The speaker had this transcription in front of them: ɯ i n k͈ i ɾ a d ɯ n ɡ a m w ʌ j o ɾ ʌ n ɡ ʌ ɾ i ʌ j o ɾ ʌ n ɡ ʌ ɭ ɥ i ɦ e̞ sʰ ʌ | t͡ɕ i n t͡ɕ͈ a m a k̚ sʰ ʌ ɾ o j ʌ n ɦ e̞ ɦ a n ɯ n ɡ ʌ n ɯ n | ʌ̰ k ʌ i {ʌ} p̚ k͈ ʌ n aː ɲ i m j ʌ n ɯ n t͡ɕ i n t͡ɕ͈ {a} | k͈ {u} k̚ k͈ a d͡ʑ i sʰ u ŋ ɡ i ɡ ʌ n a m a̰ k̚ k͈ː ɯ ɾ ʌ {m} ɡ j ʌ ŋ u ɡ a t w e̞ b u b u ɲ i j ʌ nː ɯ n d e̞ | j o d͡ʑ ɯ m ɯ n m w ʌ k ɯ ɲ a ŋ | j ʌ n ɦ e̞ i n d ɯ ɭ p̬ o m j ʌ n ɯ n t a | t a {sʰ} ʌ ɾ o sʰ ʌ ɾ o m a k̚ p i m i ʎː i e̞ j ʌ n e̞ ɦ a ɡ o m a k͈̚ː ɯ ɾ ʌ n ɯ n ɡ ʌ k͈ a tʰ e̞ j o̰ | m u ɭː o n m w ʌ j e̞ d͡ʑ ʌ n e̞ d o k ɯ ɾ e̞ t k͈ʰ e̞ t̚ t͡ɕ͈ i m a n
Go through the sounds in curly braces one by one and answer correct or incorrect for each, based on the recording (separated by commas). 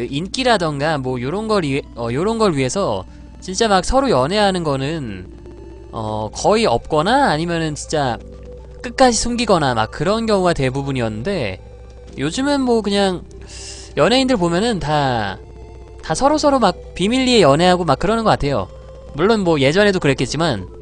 correct, correct, incorrect, incorrect, correct